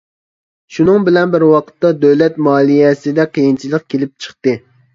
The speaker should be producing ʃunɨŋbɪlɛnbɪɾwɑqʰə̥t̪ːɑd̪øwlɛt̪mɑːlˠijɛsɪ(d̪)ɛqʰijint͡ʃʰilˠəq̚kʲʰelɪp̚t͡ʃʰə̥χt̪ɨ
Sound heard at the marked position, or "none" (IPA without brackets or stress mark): d̪